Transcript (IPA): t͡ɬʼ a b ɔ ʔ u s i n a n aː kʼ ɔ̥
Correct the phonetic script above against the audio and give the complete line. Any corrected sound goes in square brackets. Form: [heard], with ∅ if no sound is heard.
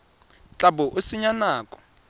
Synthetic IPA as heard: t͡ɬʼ a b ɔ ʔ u s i [ɲ] a n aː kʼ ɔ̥